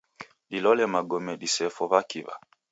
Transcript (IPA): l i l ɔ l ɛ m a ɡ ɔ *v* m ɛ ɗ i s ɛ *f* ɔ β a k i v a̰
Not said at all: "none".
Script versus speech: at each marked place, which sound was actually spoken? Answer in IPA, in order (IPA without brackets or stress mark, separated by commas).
none, f